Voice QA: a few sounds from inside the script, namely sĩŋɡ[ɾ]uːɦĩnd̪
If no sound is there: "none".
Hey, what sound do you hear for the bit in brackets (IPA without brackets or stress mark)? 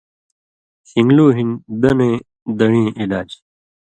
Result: l